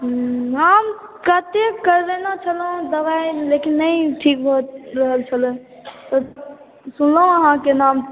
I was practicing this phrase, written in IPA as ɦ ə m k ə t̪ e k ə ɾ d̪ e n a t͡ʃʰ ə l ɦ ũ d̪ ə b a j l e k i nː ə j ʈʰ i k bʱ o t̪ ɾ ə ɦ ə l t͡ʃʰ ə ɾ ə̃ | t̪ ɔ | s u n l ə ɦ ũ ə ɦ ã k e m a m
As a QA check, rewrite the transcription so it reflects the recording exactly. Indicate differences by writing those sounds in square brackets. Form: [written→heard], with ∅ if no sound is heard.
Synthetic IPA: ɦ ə m k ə t̪ e k ə ɾ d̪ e n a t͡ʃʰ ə l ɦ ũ d̪ ə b a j l e k i nː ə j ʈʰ i k bʱ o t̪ ɾ ə ɦ ə l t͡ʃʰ ə [ɾ→l] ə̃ | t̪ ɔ | s u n l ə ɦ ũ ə ɦ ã k e [m→n] a m